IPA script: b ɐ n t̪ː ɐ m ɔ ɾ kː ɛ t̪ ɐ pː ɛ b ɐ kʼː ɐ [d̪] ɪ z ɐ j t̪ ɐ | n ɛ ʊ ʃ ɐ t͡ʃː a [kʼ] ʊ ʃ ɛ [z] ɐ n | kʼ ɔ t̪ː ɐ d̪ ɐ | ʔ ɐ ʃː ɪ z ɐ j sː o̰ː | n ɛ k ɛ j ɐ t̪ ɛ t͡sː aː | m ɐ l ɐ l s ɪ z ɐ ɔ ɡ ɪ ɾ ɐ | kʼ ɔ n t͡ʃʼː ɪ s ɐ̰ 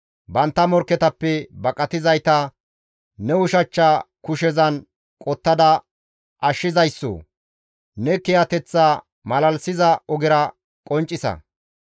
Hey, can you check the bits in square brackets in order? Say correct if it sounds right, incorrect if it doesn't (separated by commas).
incorrect, incorrect, correct